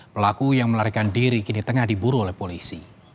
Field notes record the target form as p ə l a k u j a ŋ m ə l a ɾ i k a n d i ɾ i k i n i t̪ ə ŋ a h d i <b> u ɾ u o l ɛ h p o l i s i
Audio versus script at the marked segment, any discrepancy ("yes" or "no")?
no